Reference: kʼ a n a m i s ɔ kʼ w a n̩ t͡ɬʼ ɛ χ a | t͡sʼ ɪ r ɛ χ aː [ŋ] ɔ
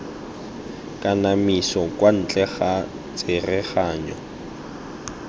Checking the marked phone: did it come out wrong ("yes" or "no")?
yes